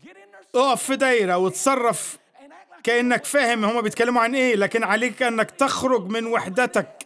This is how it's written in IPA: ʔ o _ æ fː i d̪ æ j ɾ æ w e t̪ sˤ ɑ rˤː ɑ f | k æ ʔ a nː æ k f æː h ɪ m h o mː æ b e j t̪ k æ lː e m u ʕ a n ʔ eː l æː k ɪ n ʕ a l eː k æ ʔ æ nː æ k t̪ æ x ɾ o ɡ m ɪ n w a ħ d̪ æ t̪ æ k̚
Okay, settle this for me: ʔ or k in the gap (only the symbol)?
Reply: ʔ